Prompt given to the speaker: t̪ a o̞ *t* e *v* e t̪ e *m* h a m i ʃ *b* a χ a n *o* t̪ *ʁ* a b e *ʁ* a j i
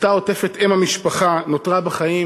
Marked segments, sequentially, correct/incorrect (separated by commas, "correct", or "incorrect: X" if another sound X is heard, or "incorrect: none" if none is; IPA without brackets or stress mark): correct, incorrect: f, correct, incorrect: p, correct, correct, incorrect: χ